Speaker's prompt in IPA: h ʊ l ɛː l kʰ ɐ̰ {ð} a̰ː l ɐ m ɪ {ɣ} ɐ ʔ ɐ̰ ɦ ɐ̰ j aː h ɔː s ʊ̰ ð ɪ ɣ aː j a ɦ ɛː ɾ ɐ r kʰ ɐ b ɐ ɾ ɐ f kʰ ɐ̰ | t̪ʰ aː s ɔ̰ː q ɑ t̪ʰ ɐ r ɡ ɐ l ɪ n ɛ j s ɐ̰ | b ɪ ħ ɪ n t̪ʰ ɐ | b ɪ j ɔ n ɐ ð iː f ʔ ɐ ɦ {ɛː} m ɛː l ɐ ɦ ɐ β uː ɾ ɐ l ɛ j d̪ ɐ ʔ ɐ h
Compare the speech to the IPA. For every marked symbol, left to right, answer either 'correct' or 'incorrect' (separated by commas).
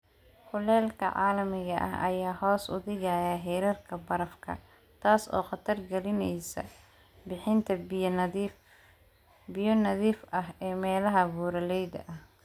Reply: incorrect, correct, correct